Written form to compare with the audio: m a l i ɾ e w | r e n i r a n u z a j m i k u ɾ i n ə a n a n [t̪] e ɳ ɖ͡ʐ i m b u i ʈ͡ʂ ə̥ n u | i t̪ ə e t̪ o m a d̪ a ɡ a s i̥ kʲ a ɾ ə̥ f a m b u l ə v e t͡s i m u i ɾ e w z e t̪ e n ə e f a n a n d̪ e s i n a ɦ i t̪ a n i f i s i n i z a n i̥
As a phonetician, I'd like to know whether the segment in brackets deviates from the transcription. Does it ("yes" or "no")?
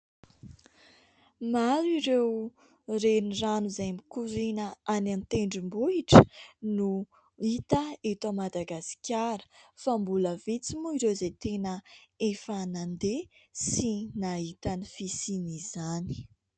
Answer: no